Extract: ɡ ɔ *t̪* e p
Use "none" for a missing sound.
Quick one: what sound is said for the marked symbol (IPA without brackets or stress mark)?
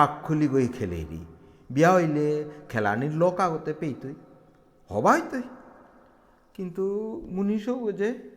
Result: t̪